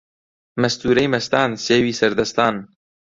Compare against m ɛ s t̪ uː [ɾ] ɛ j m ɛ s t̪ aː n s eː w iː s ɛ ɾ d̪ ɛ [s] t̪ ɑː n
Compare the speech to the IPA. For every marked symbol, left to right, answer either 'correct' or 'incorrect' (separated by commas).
correct, correct